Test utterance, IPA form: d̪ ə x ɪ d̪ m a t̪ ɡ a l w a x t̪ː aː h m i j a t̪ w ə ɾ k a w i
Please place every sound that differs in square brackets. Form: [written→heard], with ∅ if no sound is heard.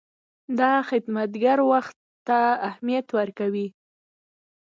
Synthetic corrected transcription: d̪ [ə→ɑ] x ɪ d̪ m a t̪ ɡ a [l→ɾ] w a x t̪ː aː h m i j a t̪ w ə ɾ k a w i